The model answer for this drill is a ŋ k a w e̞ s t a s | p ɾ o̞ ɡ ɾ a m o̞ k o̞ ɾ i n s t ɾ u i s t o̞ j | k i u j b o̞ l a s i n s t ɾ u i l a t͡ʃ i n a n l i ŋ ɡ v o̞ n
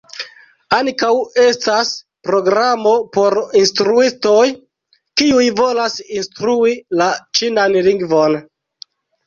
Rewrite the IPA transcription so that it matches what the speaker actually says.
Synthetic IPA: a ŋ k a w e̞ s t a s | p ɾ o̞ ɡ ɾ a m o̞ p o̞ ɾ i n s t ɾ u i s t o̞ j | k i u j v o̞ l a s i n s t ɾ u i l a t͡ʃ i n a n l i ŋ ɡ v o̞ n